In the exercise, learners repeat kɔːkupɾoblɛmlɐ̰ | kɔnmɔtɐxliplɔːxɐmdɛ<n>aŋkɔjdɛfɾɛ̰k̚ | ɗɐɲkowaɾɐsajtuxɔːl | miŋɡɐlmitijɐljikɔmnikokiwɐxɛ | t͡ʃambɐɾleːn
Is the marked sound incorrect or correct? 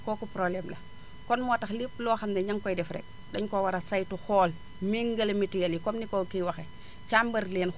incorrect